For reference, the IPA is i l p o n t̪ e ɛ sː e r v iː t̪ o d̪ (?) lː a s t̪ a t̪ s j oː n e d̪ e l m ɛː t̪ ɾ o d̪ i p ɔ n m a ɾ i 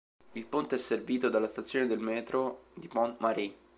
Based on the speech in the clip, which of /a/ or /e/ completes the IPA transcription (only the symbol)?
a